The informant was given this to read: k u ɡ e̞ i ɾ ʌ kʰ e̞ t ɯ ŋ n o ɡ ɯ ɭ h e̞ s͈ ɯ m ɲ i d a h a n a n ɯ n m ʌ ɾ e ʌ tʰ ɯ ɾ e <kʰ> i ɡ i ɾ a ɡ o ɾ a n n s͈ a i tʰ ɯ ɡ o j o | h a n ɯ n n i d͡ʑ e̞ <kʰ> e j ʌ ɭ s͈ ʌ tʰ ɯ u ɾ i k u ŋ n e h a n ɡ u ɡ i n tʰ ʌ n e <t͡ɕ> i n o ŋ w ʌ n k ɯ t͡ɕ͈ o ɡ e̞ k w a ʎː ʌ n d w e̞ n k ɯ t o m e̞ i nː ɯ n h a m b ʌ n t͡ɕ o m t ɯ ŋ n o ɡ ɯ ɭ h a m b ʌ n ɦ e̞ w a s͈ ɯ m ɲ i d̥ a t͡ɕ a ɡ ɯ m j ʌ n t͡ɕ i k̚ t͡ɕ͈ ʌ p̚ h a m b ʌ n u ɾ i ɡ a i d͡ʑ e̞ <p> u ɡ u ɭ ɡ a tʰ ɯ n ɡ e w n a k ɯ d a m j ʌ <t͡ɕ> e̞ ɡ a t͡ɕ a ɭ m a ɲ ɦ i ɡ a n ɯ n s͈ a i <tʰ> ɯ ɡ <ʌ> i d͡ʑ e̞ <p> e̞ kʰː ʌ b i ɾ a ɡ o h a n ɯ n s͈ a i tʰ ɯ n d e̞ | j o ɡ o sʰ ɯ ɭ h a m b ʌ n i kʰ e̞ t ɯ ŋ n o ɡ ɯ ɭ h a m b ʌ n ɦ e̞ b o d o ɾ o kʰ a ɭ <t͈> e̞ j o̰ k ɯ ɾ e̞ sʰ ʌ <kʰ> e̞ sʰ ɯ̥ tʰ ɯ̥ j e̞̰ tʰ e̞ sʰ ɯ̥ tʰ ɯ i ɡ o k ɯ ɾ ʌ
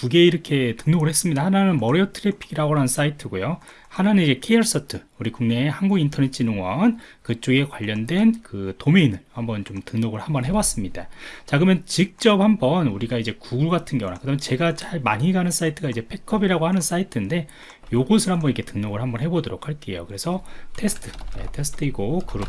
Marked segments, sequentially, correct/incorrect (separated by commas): incorrect, correct, incorrect, incorrect, correct, correct, incorrect, incorrect, incorrect, incorrect